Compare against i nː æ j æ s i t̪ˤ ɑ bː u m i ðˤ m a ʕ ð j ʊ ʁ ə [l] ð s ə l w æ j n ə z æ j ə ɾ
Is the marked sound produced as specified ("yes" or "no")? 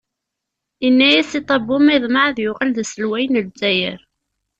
yes